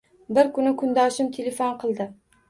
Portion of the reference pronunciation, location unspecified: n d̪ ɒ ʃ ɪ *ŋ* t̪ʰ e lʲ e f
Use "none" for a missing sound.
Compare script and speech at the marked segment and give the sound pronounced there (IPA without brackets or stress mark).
m